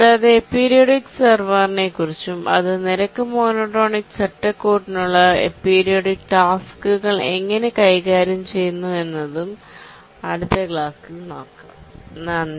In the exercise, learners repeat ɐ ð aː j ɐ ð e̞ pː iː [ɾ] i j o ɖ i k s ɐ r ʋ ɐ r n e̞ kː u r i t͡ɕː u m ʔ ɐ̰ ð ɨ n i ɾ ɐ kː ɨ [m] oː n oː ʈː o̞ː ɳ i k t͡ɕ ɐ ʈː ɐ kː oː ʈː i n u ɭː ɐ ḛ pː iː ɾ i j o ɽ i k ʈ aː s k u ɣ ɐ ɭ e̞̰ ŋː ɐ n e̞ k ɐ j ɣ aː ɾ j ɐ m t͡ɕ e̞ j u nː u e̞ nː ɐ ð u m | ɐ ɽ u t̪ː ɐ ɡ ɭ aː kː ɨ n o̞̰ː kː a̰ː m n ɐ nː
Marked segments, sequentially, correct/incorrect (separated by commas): correct, correct